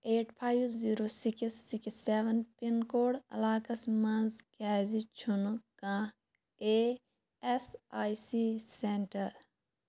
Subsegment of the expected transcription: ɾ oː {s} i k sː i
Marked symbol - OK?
yes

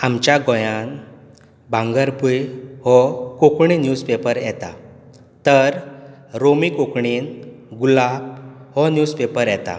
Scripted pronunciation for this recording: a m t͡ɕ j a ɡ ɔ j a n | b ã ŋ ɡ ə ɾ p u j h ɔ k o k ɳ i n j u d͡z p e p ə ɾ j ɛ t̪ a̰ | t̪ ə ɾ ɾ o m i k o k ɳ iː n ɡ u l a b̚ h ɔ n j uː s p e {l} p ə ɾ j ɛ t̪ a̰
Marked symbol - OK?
no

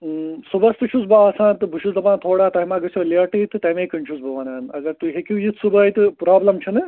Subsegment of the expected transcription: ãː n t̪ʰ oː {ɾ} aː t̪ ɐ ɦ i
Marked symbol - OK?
no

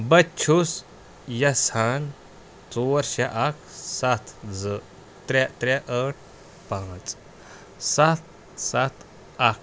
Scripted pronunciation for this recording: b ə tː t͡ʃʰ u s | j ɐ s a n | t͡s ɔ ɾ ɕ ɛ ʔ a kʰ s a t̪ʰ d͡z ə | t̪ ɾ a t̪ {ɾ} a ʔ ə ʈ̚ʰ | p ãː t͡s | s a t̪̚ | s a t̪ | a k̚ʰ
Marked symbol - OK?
yes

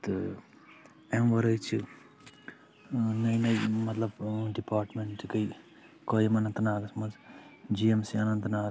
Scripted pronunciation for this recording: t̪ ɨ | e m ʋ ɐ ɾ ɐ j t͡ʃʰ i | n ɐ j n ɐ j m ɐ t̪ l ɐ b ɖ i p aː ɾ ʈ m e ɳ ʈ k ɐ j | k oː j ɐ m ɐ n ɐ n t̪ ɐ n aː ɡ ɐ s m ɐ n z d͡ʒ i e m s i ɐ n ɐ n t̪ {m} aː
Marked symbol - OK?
no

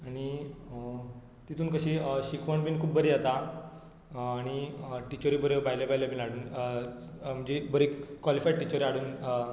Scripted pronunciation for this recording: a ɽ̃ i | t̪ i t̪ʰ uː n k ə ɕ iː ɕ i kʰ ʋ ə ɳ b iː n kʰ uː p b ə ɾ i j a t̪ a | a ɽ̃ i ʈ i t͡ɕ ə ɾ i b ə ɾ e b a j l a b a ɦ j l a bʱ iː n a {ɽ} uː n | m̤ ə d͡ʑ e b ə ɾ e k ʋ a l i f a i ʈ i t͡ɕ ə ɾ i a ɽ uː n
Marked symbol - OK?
yes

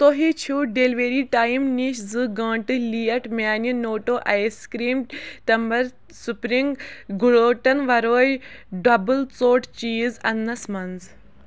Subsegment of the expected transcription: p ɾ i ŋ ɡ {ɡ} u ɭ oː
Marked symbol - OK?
yes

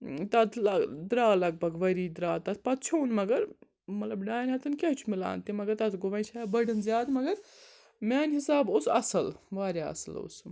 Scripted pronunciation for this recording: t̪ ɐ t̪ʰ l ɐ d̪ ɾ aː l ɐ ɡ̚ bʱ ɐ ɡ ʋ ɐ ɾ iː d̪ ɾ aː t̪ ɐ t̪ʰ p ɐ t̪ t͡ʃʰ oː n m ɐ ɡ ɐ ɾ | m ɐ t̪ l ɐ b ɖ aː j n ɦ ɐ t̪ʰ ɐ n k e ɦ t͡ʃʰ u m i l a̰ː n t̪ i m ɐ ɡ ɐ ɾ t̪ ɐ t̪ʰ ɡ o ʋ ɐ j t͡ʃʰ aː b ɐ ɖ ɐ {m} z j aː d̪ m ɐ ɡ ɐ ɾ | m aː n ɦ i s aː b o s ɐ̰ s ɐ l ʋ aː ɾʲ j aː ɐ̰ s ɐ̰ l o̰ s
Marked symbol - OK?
no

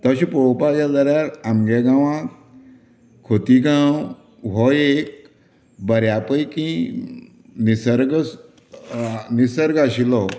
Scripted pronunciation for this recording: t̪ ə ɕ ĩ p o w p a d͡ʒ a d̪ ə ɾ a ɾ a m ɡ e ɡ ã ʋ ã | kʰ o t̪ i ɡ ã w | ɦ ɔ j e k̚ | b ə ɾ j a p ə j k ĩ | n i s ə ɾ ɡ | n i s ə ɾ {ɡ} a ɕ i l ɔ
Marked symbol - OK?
yes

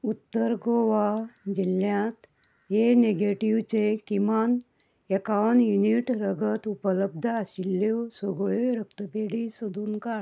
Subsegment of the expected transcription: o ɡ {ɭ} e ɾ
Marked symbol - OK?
yes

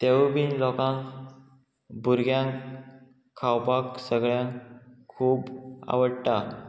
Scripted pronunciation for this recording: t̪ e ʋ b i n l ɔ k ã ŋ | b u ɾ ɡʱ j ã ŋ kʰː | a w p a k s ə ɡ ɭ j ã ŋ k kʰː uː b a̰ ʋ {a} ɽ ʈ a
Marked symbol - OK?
no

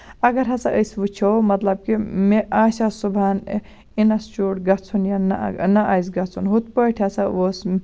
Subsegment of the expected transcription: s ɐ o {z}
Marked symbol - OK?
no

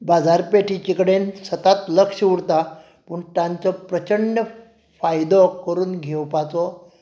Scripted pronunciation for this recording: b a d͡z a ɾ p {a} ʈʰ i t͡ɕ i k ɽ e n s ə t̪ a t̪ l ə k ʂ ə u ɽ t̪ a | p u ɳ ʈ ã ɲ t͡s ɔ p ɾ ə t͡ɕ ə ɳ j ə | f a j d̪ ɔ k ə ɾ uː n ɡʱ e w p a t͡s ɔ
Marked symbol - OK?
no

